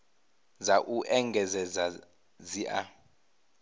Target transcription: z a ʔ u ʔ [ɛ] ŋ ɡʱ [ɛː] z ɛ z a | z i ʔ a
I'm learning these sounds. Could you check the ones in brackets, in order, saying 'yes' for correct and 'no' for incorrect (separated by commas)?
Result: yes, no